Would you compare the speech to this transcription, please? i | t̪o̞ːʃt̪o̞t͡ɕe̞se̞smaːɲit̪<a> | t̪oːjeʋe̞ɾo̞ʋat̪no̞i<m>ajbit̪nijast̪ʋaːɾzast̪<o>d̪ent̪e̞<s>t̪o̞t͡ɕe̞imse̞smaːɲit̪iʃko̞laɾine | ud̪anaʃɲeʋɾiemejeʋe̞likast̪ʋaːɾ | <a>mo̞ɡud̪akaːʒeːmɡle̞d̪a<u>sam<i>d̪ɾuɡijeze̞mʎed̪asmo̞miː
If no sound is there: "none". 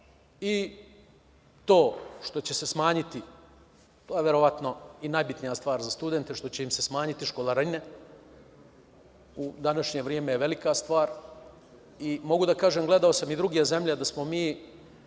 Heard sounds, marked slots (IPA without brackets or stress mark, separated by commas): i, n, u, ʃ, i, o, i